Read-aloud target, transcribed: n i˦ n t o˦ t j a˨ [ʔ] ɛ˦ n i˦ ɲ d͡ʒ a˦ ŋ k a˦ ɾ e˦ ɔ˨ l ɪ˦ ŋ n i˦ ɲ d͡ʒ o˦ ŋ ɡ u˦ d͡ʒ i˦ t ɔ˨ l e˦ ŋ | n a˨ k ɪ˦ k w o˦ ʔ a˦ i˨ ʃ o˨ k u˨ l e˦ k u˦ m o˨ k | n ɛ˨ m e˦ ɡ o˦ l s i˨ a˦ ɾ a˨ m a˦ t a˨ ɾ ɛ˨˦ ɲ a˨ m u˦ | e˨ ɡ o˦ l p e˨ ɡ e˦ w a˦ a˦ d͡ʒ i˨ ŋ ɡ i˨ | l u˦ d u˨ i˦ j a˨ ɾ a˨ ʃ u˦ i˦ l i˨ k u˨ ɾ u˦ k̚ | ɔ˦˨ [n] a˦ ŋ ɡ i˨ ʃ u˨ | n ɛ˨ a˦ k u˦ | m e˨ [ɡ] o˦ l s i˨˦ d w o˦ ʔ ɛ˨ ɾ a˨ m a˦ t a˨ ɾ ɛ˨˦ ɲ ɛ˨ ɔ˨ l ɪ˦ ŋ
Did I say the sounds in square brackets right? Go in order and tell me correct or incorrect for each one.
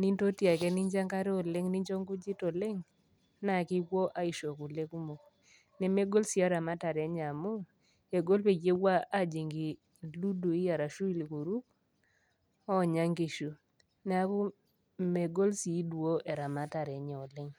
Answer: incorrect: k, incorrect: ɲ, correct

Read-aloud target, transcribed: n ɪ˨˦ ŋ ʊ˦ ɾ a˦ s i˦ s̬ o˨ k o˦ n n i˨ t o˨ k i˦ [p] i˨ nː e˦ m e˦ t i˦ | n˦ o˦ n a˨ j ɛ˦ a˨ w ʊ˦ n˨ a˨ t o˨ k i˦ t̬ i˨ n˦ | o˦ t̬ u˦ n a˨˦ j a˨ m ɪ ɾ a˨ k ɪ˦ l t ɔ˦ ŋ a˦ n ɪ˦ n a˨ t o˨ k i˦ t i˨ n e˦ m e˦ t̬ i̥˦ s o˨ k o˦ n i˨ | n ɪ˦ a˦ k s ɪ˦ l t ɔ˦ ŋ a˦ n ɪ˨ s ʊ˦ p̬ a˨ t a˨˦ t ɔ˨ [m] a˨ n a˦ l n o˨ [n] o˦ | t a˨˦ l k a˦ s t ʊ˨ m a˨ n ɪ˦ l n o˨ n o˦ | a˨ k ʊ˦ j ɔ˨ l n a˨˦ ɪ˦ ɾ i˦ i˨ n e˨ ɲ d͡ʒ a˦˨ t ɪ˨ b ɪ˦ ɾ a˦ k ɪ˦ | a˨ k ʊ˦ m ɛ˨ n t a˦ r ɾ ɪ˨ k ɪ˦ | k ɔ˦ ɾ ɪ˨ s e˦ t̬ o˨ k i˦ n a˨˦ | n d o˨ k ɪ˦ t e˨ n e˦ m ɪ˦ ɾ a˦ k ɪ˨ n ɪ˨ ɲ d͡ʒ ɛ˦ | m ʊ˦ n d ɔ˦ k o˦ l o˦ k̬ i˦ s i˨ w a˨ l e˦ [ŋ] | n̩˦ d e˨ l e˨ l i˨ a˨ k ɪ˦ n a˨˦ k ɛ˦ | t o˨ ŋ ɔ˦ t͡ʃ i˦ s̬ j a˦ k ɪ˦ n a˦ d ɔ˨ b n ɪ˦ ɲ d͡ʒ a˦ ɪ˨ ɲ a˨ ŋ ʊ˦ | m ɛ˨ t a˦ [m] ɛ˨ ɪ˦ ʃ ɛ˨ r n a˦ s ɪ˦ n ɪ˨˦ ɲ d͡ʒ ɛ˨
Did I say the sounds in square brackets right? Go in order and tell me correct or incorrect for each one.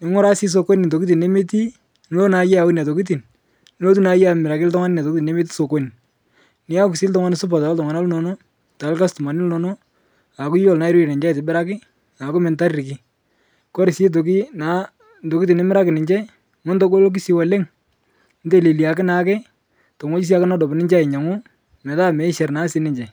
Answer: incorrect: t, incorrect: ŋ, correct, correct, correct

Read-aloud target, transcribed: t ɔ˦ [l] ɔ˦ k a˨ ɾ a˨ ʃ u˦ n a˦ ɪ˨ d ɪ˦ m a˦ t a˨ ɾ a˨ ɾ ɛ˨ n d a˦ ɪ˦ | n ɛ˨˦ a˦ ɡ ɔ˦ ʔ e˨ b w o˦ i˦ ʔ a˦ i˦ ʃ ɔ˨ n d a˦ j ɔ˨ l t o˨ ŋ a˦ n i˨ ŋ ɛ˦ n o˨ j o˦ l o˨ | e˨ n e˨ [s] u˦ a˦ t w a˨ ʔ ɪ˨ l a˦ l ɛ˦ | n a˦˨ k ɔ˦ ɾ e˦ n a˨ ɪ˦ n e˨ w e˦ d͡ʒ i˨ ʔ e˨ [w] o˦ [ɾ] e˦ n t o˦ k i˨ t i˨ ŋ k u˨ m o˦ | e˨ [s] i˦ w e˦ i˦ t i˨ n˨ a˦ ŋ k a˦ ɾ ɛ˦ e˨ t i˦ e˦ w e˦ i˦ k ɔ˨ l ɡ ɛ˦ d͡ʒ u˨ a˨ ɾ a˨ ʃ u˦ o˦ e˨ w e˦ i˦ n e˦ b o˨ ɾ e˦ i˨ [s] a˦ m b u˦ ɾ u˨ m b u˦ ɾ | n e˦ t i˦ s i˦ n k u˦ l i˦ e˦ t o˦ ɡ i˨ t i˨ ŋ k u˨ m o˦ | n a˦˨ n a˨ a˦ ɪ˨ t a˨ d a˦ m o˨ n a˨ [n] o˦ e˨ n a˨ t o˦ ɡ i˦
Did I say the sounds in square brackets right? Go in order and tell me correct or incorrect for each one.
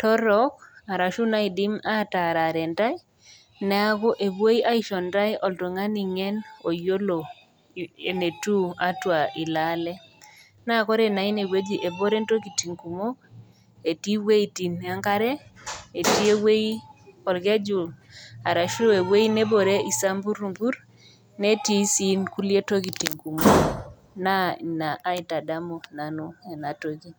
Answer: incorrect: ɾ, incorrect: t, incorrect: b, correct, incorrect: t, correct, correct

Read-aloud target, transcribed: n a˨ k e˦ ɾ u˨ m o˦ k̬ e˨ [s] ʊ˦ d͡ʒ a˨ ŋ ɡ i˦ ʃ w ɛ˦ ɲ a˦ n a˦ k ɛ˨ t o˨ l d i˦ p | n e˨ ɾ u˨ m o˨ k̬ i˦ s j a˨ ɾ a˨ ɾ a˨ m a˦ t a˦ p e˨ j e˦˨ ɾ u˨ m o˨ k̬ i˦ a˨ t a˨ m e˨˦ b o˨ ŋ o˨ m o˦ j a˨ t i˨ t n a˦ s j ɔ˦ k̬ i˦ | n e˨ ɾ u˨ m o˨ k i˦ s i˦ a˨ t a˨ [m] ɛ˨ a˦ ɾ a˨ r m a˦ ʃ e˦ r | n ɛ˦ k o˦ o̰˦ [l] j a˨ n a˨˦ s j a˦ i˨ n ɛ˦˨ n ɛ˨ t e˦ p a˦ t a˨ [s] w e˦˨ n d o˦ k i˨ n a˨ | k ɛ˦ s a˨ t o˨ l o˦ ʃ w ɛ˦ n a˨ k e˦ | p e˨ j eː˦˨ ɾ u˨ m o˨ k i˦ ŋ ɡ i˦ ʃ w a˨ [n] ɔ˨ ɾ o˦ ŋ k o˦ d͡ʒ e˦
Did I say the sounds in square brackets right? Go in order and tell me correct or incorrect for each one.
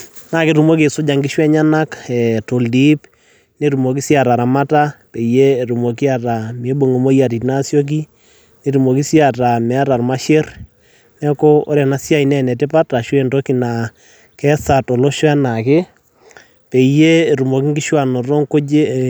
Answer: correct, correct, incorrect: ɾ, incorrect: ʃ, correct

